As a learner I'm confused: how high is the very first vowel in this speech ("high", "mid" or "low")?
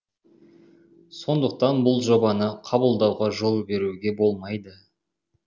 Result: mid